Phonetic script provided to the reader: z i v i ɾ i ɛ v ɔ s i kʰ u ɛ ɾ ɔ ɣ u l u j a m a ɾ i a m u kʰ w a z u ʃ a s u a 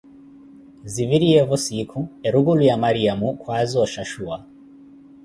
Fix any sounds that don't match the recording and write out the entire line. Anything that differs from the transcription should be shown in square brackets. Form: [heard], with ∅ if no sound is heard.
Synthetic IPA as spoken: z i v i ɾ i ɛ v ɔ s i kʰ u ɛ ɾ [u] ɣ u l u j a m a ɾ i a m u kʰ w a z [ɔ] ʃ a [ʃ] u a